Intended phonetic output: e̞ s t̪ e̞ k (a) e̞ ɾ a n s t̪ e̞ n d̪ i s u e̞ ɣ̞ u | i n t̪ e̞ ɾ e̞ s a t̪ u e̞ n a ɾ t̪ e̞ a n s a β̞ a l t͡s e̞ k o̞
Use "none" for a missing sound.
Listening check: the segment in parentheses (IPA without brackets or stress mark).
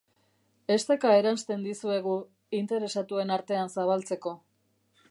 a